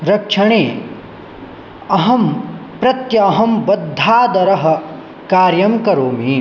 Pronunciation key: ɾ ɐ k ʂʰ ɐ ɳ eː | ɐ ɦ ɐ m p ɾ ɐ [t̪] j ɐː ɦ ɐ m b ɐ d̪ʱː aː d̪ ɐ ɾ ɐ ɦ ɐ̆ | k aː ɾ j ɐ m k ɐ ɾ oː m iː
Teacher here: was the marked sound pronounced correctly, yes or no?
yes